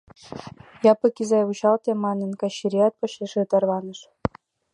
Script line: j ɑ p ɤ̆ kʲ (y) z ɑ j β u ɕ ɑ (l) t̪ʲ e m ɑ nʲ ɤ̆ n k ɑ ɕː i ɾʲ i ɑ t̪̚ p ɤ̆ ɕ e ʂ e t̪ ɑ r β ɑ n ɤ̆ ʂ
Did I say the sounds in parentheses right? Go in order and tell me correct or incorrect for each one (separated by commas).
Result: incorrect, correct